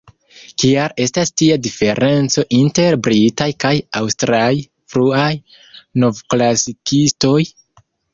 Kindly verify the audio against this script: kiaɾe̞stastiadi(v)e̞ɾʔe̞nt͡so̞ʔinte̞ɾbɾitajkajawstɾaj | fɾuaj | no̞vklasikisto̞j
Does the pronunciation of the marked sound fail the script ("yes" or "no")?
yes